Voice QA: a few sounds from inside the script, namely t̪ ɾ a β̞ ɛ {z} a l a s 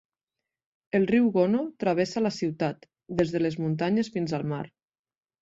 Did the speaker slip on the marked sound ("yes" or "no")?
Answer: yes